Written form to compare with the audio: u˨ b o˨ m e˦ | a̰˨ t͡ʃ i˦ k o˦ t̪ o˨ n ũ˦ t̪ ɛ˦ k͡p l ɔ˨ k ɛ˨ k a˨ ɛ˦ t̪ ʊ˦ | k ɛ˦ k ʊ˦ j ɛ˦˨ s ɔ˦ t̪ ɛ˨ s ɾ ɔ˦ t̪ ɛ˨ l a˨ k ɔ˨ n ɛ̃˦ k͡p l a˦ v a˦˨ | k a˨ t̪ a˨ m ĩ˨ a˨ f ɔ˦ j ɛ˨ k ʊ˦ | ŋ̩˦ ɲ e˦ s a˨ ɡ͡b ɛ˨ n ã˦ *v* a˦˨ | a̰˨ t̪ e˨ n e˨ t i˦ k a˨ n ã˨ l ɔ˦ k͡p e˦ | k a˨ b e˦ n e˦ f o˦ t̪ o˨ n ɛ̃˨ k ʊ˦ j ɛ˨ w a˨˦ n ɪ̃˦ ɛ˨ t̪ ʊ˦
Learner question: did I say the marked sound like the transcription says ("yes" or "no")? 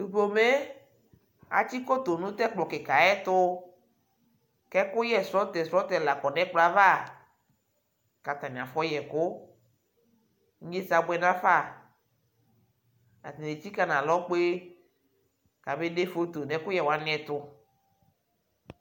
no